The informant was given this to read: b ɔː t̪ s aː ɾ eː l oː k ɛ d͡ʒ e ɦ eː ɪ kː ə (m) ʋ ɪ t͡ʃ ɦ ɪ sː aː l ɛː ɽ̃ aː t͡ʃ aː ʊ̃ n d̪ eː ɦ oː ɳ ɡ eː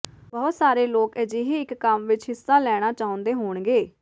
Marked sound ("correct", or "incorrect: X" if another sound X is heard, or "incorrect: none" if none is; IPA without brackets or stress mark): correct